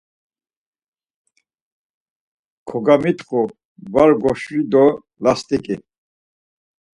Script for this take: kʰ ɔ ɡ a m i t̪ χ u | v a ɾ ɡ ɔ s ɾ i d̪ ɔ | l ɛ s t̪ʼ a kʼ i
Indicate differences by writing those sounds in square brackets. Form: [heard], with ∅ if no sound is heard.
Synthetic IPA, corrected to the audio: kʰ ɔ ɡ a m i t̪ χ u | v a ɾ ɡ ɔ [ʃ] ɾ i d̪ ɔ | l [a] s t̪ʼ [i] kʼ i

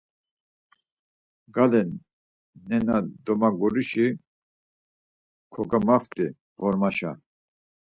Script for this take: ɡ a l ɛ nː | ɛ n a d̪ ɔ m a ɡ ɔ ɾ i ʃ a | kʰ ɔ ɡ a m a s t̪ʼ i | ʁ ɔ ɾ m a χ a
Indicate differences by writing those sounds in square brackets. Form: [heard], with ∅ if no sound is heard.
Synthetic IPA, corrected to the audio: ɡ a l ɛ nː | ɛ n a d̪ ɔ m a ɡ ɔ ɾ i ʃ [i] | kʰ ɔ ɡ a m a [f] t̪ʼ i | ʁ ɔ ɾ m a [ʃ] a

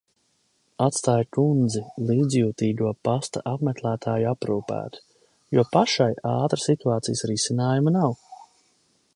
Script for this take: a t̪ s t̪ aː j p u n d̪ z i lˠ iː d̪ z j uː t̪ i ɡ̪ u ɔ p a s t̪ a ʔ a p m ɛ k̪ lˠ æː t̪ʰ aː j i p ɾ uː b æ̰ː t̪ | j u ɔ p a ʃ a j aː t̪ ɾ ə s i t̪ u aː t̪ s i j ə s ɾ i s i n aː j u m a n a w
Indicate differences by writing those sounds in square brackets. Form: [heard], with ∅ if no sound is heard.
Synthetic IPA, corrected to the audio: a t̪ s t̪ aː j [k] u n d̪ z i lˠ iː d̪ z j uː t̪ [iː] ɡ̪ u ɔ p a s t̪ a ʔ a p m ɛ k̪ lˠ æː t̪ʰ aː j [a] p ɾ uː [p] æ̰ː t̪ | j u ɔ p a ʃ a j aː t̪ ɾ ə s i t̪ u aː t̪ s i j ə s ɾ i s i n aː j u m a n a w

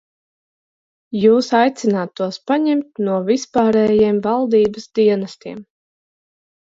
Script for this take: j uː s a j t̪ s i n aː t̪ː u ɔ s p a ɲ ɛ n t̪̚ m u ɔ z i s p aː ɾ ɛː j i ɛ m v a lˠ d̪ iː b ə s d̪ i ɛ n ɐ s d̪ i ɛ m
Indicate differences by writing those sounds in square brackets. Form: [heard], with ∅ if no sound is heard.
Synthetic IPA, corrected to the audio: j uː s a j t̪ s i n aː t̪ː u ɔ s p a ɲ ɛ [m] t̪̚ [n] u ɔ [v] i s p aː ɾ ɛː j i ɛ m v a lˠ d̪ iː b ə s d̪ i ɛ n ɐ s [t̪] i ɛ m

